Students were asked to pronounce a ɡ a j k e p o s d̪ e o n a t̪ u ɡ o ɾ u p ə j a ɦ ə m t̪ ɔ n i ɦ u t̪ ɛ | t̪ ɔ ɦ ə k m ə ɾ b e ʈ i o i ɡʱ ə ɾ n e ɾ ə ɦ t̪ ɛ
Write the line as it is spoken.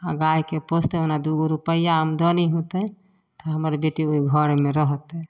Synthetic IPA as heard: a ɡ a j k e p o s t̪ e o n a d̪ u ɡ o ɾ u p ə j a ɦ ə m d̪ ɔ n i ɦ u t̪ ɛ | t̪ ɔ ɦ ə m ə ɾ b e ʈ i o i ɡʱ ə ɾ m e ɾ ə ɦ t̪ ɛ

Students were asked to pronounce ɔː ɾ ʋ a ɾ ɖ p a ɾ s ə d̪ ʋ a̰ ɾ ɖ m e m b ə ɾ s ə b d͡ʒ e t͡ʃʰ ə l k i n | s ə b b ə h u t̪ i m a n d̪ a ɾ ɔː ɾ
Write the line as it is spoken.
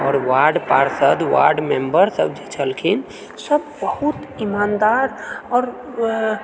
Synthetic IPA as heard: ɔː ɾ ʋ a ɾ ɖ p a ɾ s ə d̪ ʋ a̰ ɾ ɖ m e m b ə ɾ s ə b d͡ʒ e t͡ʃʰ ə l kʰ i n | s ə b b ə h u t̪ i m a n d̪ a ɾ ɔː ɾ

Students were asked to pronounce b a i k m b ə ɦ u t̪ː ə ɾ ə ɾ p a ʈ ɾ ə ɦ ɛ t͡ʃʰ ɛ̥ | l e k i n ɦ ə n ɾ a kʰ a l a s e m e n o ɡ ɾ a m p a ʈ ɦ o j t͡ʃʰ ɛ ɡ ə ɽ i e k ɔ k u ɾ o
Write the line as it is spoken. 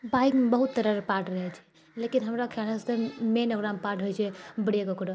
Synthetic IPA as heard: b a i k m b ə ɦ u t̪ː ə ɾ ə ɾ p a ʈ ɾ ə ɦ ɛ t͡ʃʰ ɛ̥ | l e k i n ɦ ə m ɾ a kʰ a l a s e m e n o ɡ ɾ a m p a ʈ ɦ o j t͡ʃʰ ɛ b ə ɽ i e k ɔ k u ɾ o

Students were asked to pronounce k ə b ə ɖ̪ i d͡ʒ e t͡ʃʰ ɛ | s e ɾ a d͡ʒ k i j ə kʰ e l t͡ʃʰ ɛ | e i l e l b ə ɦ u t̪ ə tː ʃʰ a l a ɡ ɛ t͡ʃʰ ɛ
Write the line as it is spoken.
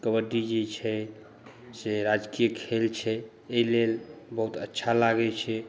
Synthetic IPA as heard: k ə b ə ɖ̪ i d͡ʒ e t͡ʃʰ ɛ | s e ɾ a d͡ʒ k i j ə kʰ e l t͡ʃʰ ɛ | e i l e l b ə ɦ u t̪ ə tː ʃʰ a l a ɡ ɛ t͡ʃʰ ɛ

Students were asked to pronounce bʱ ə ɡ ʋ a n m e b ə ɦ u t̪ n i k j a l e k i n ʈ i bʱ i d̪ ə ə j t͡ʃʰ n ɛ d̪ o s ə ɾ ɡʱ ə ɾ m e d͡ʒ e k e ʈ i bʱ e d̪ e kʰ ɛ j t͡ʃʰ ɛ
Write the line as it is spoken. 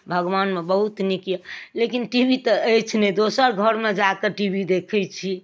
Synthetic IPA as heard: bʱ ə ɡ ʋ a n m e b ə ɦ u t̪ n i k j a l e k i n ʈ i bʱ i t̪ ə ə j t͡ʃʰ n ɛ d̪ o s ə ɾ ɡʱ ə ɾ m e d͡ʒ a k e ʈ i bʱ i d̪ e kʰ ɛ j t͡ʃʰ i

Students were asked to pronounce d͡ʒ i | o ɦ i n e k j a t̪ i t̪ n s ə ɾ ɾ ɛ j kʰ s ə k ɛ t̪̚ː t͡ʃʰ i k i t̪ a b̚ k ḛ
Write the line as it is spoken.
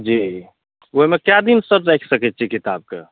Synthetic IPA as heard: d͡ʒ i | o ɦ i m e k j a d̪ i n s ə ɾ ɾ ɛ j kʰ s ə k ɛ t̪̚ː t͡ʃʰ i k i t̪ a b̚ k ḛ

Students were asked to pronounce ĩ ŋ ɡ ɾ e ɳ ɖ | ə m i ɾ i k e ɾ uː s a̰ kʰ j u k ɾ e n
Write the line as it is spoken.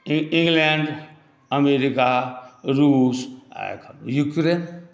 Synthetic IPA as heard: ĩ ŋ ɡ l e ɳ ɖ | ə m e ɾ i k a ɾ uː s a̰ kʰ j u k ɾ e n

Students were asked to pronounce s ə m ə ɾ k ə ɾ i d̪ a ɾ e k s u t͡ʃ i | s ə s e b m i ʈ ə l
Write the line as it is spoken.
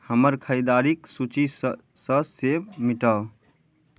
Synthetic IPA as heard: h ə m ə ɾ kʰ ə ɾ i d̪ a ɾ i k s u t͡ʃ i | s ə s e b m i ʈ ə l

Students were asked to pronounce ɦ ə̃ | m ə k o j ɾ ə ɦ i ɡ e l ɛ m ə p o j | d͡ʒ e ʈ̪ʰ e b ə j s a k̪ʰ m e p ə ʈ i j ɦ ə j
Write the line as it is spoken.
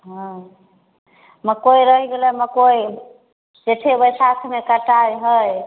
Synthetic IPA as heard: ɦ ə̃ | m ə k o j ɾ ə ɦ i ɡ e l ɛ m ə k o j | d͡ʒ e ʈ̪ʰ e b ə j s a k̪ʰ m e k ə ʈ a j ɦ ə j

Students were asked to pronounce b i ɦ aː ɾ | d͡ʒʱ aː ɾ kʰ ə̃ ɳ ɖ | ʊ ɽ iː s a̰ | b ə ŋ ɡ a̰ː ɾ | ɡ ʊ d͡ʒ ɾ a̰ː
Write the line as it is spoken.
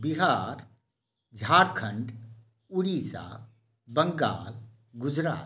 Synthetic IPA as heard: b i ɦ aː ɾ | d͡ʒʱ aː ɾ kʰ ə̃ ɳ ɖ | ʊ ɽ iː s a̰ | b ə ŋ ɡ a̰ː l | ɡ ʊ d͡ʒ ɾ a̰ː

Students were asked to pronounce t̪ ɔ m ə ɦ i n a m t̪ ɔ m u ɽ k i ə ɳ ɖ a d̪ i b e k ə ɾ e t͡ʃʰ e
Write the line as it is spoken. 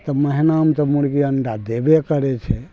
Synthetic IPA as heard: t̪ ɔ m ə ɦ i n a m t̪ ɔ m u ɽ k i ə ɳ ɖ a d̪ e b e k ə ɾ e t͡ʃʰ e

